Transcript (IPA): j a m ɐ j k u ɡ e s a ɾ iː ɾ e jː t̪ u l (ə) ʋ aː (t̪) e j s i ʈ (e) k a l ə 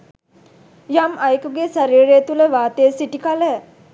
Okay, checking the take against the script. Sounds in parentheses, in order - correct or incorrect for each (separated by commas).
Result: correct, correct, incorrect